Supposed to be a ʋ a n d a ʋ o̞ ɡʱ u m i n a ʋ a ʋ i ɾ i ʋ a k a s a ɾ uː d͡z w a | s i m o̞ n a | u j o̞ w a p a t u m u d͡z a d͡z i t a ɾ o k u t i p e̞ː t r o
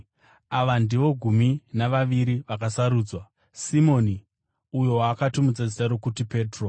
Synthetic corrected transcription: a ʋ a n d i ʋ o̞ ɡʱ u m i n a ʋ a ʋ i ɾ i ʋ a k a s a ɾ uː d͡z w a | s i m o̞ n i | u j o̞ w a k a t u m u d͡z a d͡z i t a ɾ o k u t i p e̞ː t r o